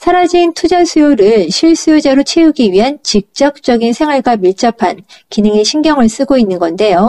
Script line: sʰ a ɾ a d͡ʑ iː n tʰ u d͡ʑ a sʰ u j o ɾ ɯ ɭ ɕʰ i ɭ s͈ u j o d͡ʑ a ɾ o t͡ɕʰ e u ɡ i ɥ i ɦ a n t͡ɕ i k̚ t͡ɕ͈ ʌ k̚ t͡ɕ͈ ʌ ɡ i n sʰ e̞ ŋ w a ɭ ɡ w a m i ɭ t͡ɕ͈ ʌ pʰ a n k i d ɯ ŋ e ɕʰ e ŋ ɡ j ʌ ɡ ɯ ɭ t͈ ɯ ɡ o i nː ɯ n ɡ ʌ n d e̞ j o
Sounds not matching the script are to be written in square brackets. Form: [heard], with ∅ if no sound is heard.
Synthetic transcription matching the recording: sʰ a ɾ a d͡ʑ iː n tʰ u d͡ʑ a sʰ u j o ɾ ɯ ɭ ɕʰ i ɭ s͈ u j o d͡ʑ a ɾ o t͡ɕʰ e u ɡ i ɥ i ɦ a n t͡ɕ i k̚ t͡ɕ͈ ʌ k̚ t͡ɕ͈ ʌ ɡ i n sʰ e̞ ŋ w a ɭ ɡ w a m i ɭ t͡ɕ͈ ʌ pʰ a n k i [n] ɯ ŋ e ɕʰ [i] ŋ ɡ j ʌ [ŋ] ɯ ɭ [s͈] ɯ ɡ o i nː ɯ n ɡ ʌ n d e̞ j o